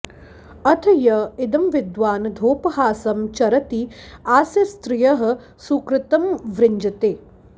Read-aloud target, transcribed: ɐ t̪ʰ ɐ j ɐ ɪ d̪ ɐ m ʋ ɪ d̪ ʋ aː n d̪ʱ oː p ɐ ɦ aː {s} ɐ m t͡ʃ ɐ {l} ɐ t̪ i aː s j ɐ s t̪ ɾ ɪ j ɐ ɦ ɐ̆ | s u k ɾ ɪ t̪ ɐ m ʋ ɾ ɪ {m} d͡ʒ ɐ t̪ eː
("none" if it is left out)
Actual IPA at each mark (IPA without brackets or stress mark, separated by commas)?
s, ɾ, ɲ